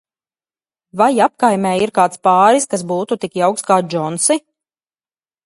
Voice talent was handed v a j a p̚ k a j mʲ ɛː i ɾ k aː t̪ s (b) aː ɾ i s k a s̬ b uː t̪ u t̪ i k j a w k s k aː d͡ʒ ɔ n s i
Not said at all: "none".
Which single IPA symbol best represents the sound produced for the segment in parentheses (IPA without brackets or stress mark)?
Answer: p